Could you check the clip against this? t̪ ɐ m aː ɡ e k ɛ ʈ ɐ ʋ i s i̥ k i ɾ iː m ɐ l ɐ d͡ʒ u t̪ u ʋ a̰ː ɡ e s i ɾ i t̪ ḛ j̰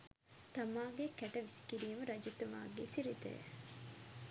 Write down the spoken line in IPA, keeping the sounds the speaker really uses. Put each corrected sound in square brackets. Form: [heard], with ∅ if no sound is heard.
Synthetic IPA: t̪ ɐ m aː ɡ e k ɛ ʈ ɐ ʋ i s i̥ k i ɾ iː m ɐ [ɾ] ɐ d͡ʒ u t̪ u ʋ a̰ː ɡ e s i ɾ i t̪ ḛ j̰